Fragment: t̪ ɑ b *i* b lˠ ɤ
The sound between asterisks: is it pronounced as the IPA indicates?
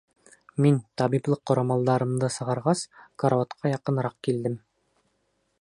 yes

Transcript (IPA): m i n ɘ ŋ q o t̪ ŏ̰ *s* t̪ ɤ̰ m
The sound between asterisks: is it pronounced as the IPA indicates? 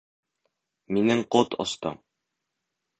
yes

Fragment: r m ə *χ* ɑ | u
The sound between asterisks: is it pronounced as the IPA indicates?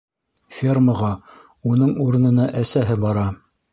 no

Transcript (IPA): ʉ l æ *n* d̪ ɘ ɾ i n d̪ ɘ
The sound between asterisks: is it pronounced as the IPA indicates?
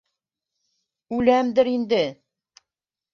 no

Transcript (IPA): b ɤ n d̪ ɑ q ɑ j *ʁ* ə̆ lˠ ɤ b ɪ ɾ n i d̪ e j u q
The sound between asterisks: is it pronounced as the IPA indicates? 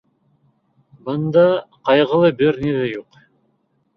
yes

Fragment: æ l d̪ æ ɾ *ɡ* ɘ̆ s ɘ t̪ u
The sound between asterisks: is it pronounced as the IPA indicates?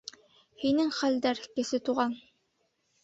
no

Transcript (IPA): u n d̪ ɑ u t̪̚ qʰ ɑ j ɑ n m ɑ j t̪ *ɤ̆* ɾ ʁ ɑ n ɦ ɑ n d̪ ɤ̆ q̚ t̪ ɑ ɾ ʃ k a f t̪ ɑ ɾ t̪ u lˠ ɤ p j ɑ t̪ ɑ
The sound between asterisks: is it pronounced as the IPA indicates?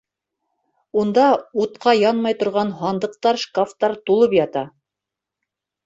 no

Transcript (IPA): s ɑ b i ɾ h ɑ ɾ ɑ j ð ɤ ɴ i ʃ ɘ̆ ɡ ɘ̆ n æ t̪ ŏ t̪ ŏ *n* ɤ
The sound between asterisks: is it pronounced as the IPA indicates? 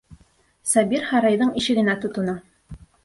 yes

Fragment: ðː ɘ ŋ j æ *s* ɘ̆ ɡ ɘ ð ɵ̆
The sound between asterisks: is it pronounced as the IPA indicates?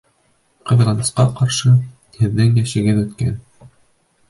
no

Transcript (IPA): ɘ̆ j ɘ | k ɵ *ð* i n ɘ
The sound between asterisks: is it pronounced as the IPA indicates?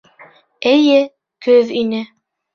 yes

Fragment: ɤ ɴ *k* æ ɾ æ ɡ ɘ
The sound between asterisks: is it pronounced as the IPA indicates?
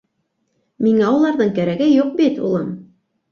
yes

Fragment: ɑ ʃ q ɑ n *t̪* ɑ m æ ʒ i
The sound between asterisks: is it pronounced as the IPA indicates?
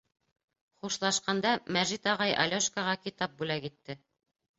no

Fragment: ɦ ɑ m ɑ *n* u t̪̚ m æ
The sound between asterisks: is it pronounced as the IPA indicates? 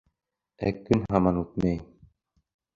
yes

